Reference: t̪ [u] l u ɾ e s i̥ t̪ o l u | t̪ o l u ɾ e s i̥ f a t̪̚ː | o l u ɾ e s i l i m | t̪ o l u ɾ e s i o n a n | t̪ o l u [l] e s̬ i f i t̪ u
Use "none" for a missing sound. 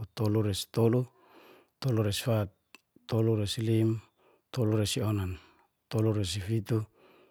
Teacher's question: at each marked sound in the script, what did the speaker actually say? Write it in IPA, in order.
o, ɾ

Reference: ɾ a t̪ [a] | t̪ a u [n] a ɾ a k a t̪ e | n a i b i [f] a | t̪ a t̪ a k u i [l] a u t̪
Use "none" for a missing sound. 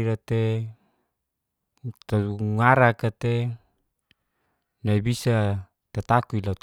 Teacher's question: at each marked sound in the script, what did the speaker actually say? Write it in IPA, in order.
e, ŋ, s, l

